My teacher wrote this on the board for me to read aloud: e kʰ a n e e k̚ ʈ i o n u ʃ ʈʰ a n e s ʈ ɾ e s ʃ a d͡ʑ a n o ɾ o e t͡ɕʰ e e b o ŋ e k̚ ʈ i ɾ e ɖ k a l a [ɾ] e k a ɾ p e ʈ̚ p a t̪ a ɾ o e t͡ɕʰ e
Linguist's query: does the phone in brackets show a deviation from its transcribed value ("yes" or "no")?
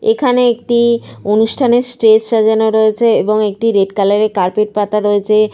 no